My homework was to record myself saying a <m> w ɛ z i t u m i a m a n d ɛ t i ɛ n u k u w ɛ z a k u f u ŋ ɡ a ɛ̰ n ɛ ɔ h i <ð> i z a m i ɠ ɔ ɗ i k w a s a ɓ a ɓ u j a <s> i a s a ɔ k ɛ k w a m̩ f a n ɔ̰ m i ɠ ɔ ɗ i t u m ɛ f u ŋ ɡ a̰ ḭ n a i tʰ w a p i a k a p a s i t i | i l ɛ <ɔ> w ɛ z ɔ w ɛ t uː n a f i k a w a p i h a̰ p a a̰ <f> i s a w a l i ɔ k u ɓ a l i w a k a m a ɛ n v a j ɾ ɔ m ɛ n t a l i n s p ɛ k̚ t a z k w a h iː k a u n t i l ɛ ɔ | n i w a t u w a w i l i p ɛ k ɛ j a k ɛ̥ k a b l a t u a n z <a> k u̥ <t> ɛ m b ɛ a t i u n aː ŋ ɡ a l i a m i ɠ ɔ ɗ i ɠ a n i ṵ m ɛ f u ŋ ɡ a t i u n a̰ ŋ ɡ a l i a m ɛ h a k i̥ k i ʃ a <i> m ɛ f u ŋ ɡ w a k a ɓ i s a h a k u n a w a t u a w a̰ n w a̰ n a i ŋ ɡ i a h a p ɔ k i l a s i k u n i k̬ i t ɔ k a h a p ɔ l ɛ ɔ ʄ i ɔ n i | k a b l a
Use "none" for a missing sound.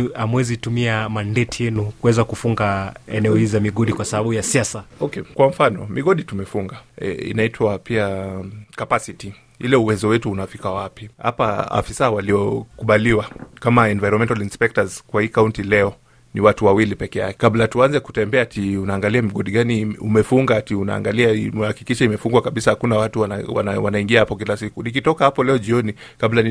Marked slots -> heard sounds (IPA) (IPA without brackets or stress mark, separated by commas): m, z, s, u, f, ɛ, t, i